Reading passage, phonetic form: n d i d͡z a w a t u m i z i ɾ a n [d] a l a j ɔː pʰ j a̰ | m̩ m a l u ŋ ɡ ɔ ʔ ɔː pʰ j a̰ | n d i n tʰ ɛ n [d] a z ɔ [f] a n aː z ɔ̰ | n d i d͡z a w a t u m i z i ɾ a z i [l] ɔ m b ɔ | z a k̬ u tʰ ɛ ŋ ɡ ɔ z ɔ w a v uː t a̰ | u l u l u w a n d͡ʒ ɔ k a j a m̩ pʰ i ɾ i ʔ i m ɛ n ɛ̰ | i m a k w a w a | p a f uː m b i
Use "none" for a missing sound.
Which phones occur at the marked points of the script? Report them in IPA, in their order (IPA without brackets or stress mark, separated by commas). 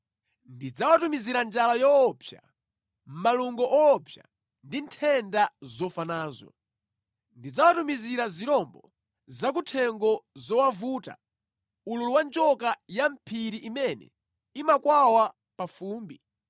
d͡ʒ, d, f, ɾ